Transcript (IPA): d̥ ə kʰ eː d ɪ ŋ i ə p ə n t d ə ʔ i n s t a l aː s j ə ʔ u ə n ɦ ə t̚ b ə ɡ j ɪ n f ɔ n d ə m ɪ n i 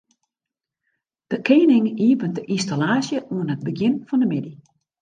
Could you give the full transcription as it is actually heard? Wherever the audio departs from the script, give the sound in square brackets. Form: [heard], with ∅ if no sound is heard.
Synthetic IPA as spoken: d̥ ə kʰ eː [n] ɪ ŋ i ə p ə n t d ə ʔ i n s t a l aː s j ə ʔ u ə n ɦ ə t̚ b ə ɡ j ɪ n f ɔ n d ə m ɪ [d] i